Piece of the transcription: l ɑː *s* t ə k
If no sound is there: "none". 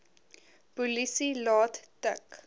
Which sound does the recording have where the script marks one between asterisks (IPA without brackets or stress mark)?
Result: t